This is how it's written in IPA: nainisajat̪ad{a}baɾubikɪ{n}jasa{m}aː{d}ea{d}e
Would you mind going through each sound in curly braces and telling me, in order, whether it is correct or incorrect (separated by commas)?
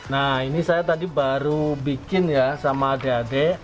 incorrect, correct, correct, correct, correct